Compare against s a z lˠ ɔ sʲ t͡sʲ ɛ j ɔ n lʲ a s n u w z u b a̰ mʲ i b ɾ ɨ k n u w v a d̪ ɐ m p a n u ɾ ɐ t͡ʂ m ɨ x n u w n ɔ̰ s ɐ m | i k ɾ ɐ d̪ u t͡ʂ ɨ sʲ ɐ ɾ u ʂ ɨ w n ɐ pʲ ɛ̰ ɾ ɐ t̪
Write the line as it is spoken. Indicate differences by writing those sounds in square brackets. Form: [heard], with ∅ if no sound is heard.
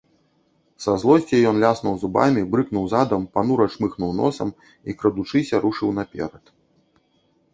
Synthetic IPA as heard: s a z lˠ ɔ sʲ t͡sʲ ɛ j ɔ n lʲ a s n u w z u b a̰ mʲ i b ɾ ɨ k n u w [z] a d̪ ɐ m p a n u ɾ ɐ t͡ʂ m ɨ x n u w n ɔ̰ s ɐ m | i k ɾ ɐ d̪ u t͡ʂ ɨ sʲ ɐ ɾ u ʂ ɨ w n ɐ pʲ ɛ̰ ɾ ɐ t̪